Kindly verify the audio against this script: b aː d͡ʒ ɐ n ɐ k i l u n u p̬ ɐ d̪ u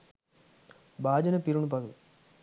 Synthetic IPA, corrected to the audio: b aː d͡ʒ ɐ n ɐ p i ɾ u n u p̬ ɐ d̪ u